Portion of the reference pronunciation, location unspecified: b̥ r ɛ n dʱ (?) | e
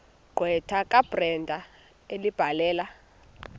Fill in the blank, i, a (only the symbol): a